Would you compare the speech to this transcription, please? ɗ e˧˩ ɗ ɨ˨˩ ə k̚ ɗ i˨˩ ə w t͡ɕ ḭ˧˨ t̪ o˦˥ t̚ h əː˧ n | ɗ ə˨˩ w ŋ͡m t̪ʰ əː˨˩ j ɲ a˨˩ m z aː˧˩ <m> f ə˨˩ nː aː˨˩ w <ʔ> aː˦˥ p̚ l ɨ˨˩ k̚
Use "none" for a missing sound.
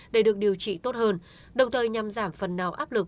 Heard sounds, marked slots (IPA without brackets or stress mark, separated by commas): m, ʔ